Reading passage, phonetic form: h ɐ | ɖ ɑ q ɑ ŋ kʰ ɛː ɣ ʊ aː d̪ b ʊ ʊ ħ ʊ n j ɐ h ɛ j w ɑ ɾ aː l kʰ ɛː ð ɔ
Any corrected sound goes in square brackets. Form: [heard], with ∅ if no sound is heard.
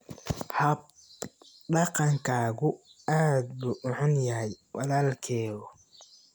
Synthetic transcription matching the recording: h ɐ | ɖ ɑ q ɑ ŋ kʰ [aː] ɣ ʊ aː d̪ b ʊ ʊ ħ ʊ n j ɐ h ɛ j w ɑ [l] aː l kʰ ɛː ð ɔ